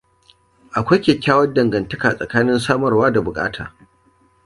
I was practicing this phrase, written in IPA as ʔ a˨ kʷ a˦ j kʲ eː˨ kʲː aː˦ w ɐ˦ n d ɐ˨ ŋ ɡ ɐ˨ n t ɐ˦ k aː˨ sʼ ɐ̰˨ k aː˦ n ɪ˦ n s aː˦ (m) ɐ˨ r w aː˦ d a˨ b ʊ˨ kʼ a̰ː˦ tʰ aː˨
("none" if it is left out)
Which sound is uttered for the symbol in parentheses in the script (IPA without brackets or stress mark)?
m